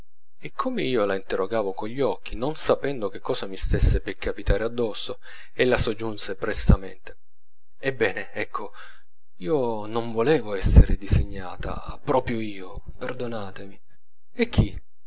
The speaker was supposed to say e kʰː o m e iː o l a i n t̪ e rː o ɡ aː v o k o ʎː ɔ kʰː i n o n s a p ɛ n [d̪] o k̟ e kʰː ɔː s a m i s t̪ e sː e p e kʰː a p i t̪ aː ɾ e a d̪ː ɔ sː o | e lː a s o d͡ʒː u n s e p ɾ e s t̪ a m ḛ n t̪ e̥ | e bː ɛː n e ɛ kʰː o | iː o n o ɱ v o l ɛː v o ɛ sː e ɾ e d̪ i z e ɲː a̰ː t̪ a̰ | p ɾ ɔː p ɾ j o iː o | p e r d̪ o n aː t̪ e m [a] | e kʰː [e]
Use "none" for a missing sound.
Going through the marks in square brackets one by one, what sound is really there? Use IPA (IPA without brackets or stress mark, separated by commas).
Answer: d̪, i, i